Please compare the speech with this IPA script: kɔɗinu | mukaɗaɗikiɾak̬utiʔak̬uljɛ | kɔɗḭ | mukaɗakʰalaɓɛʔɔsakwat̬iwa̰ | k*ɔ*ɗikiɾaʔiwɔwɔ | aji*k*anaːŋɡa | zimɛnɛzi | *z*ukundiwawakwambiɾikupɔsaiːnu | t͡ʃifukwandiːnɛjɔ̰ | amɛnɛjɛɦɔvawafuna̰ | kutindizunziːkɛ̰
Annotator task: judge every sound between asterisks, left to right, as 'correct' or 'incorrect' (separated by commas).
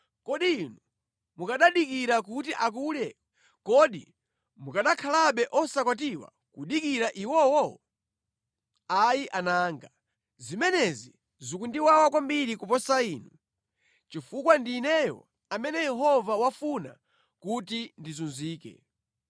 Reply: incorrect, incorrect, correct